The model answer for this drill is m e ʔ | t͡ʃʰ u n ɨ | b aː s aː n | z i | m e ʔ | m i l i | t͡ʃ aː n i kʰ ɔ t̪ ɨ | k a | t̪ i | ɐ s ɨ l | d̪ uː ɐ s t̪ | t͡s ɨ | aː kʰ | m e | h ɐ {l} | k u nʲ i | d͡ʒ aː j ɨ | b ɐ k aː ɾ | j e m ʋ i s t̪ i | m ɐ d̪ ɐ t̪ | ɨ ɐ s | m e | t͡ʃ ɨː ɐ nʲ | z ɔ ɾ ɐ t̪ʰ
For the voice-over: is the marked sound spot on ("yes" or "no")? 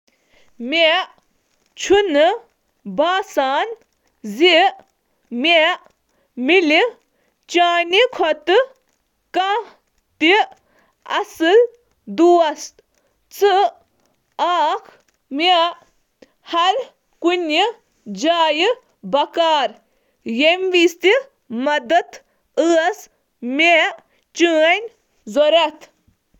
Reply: no